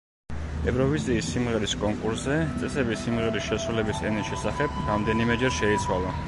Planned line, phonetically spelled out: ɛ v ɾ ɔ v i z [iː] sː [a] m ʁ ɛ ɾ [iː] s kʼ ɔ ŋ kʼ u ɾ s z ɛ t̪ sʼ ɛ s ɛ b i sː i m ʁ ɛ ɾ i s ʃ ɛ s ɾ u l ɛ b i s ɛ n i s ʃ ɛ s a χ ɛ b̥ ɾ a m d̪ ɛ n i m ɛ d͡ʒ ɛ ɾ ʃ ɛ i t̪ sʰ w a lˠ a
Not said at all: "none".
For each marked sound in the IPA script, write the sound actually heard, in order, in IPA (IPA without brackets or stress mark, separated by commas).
iː, i, i